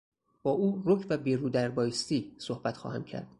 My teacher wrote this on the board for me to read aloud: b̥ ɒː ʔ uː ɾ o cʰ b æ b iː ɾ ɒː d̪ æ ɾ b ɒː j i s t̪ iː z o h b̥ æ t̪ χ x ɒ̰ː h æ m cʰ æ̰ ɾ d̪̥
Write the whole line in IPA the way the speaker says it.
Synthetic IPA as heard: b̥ ɒː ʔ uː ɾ o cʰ v æ b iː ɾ uː d̪ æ ɾ b ɒː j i s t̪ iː s o h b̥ æ t̪ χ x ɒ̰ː h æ m cʰ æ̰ ɾ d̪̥